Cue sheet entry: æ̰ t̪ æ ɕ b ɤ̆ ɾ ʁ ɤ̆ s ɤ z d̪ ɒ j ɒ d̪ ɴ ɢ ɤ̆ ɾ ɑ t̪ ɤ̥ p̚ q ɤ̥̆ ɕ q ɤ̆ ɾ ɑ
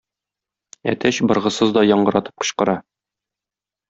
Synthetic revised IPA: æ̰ t̪ æ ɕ b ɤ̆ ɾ ʁ ɤ̆ s ɤ z d̪ ɒ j ɒ ɴ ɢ ɤ̆ ɾ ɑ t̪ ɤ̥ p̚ q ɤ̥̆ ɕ q ɤ̆ ɾ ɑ

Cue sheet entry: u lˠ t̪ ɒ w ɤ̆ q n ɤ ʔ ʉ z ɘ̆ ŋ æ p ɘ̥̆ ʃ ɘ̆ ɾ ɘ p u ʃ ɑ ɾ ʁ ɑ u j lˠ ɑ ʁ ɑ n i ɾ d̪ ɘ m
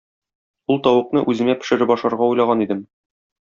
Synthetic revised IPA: u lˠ t̪ ɒ w ɤ̆ q n ɤ ʔ ʉ z ɘ̆ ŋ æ p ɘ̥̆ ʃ ɘ̆ ɾ ɘ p ɒ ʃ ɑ ɾ ʁ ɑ u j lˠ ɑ ʁ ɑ n i d̪ ɘ m

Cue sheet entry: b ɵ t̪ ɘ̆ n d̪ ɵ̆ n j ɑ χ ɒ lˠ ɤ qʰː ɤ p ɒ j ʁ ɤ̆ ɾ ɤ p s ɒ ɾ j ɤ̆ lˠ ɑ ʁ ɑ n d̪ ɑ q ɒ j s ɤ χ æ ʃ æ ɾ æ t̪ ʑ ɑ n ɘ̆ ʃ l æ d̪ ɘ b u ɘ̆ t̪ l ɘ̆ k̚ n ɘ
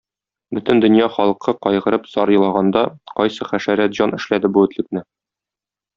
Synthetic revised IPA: b ɵ t̪ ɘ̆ n d̪ ɵ̆ n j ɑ χ ɒ lˠ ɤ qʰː ɤ q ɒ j ʁ ɤ̆ ɾ ɤ p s ɒ ɾ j ɤ̆ lˠ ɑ ʁ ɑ n d̪ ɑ q ɒ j s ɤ χ æ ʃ æ ɾ æ t̪ ʑ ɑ n ɘ̆ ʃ l æ d̪ ɘ b u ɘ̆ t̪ l ɘ̆ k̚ n ɘ

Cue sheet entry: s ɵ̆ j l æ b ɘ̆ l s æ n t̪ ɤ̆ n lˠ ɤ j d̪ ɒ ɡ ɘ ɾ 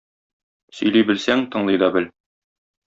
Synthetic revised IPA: s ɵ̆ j l i b ɘ̆ l s æ ŋ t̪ ɤ̆ ɴ lˠ ɤ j d̪ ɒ b ɘ l

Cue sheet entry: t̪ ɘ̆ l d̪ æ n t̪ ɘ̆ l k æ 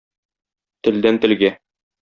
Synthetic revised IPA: t̪ ɘ̆ l d̪ æ n t̪ ɘ̆ l ɡ æ

